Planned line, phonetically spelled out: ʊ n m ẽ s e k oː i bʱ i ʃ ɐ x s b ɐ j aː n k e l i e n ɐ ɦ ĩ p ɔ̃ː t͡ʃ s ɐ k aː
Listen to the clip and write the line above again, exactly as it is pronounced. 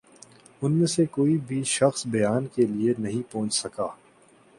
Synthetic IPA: ʊ n m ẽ s e k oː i bʱ i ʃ ɐ x s b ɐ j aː n k e l i e n ɐ ɦ ĩ p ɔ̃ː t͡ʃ s ɐ k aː